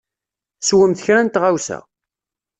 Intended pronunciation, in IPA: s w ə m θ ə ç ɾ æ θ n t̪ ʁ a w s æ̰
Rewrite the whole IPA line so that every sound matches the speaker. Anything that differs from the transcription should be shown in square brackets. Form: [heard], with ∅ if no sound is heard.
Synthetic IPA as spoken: s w ə m θ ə ç ɾ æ [∅] n t̪ ʁ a w s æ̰